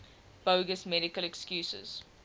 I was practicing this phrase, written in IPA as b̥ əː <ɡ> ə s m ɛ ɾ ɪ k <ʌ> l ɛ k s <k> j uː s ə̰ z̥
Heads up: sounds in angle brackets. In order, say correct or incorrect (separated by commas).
correct, incorrect, correct